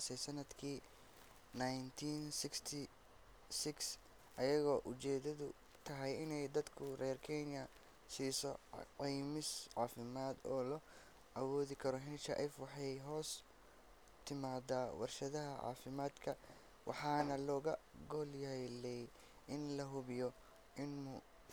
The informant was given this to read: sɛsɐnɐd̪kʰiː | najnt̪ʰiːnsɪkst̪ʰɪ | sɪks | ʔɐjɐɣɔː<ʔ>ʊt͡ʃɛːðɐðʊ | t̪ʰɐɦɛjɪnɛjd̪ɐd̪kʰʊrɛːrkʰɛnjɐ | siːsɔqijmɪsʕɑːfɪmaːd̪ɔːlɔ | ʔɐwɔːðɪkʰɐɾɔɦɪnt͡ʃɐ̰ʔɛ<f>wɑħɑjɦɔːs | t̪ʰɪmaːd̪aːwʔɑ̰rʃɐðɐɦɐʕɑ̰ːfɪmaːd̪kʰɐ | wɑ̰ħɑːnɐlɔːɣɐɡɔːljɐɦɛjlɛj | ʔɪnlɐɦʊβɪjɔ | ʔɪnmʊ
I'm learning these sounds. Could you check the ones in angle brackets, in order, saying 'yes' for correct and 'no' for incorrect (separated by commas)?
yes, yes